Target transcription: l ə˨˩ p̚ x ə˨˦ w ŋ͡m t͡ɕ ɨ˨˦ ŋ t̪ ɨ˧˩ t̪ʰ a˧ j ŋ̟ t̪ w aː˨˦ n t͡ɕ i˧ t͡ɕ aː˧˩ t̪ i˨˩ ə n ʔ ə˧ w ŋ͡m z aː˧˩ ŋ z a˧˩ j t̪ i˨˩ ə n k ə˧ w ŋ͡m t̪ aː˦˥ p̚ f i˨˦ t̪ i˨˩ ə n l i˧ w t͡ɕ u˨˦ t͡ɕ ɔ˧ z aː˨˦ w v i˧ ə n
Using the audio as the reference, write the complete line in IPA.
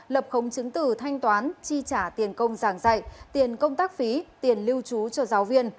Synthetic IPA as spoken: l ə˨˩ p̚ x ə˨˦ w ŋ͡m t͡ɕ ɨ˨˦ ŋ t̪ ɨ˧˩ t̪ʰ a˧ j ŋ̟ t̪ w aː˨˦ n t͡ɕ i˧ t͡ɕ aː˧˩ t̪ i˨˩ ə n k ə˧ w ŋ͡m z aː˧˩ ŋ z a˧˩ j t̪ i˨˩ ə n k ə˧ w ŋ͡m t̪ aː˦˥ k̚ f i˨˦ t̪ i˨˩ ə n l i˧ w t͡ɕ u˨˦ t͡ɕ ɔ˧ z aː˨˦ w v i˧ ə n